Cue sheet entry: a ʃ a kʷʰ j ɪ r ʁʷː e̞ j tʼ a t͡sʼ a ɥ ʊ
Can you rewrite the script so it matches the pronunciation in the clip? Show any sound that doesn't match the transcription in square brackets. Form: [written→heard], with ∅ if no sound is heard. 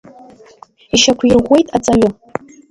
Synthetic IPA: [a→i] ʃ a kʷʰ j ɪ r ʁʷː e̞ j tʼ a t͡sʼ a ɥ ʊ

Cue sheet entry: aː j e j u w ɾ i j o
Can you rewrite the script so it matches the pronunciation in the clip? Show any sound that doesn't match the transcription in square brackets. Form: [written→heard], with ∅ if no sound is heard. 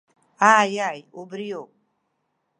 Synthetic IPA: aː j [e→a] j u [w→b] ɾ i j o

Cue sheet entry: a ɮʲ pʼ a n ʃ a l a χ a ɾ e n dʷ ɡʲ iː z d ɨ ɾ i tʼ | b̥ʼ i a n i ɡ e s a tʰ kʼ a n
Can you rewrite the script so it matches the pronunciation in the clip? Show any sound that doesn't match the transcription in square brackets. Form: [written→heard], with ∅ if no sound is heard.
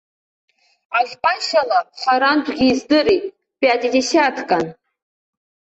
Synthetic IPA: a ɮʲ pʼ a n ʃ a l a χ a ɾ [e→a] n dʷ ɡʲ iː z d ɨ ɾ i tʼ | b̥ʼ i a [n→d] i [ɡ→d] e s a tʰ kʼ a n

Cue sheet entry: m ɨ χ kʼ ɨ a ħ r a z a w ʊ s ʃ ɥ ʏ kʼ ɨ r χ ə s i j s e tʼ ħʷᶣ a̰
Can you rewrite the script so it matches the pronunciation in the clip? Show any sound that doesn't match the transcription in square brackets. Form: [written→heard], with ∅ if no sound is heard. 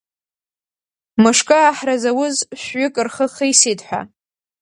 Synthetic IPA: m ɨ [χ→ʂ] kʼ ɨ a ħ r a z a w ʊ [s→z] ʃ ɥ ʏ kʼ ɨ r χ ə [s→χ] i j s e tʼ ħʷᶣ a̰

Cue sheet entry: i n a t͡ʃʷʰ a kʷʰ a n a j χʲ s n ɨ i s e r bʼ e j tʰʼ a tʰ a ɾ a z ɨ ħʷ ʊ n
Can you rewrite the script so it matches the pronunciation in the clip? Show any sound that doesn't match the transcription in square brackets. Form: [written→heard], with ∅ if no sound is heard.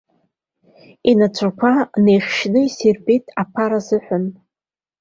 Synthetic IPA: i n a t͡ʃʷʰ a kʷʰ a n [a→e] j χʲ [s→ʃ] n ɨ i s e r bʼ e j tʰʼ a [tʰ→pʰ] a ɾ a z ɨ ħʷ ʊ n

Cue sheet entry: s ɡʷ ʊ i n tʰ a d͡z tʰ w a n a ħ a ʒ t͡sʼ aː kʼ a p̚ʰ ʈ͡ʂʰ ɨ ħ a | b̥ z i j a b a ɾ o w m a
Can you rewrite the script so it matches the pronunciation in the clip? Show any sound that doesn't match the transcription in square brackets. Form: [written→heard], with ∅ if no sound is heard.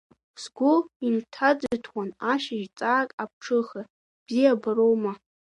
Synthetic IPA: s ɡʷ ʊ i n tʰ a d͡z tʰ w a n a [ħ→ʃ] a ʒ t͡sʼ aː kʼ a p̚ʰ ʈ͡ʂʰ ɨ [ħ→χ] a | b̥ z i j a b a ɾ o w m a

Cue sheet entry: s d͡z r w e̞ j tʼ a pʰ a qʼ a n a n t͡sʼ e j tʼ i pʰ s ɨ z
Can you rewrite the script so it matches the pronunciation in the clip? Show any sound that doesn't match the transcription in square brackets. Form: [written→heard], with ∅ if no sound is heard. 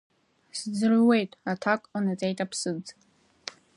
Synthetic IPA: s d͡z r w e̞ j tʼ a [pʰ→tʰ] a [qʼ→kʼ] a n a [n→∅] t͡sʼ e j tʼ [i→a] pʰ s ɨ [z→d͡z]

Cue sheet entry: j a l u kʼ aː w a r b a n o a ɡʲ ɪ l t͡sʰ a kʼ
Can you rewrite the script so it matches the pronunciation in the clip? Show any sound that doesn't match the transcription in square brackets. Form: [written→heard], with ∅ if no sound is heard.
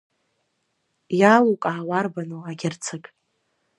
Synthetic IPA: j a l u kʼ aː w a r b a n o a ɡʲ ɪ [l→r] t͡sʰ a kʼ

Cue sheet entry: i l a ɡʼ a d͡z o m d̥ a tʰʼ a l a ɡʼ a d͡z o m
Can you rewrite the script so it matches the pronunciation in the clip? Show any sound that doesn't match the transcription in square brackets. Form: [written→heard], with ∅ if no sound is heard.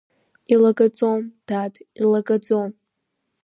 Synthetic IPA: i l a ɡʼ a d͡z o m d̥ a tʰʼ [a→i] l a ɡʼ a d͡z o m

